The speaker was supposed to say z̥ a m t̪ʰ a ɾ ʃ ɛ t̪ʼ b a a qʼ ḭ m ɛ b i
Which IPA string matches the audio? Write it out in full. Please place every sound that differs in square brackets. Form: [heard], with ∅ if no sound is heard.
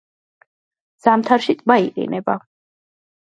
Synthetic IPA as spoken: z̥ a m t̪ʰ a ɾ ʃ [i] t̪ʼ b a [i] qʼ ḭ [n] ɛ b [a]